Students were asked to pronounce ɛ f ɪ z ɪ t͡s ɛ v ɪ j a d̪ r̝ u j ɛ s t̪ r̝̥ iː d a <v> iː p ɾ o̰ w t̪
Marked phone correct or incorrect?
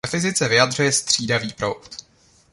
correct